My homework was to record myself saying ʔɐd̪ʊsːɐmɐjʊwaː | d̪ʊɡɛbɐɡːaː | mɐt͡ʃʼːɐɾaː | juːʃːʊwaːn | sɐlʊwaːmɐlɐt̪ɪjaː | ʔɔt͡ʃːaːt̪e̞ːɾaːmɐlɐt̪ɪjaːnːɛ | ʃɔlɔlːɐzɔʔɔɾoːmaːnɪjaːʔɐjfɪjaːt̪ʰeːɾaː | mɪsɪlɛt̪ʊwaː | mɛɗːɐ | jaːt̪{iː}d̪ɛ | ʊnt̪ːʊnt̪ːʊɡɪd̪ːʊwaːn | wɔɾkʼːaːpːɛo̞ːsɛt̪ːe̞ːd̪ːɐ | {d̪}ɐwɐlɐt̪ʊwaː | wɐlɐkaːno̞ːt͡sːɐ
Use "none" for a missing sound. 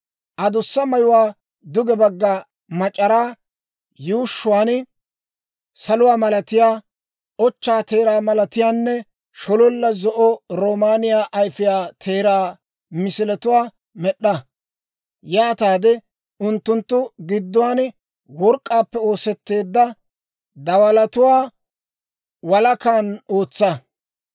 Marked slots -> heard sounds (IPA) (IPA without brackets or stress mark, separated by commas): aː, d̪